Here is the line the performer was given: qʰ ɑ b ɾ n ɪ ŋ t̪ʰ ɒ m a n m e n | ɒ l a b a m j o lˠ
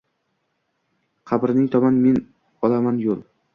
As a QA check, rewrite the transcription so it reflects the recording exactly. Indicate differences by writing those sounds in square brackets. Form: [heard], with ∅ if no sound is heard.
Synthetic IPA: qʰ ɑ b ɾ n ɪ ŋ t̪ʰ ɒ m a n m e n | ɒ l a [m] a [n] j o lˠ